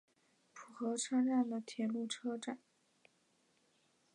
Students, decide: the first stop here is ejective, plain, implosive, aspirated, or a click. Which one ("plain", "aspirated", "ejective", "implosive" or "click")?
aspirated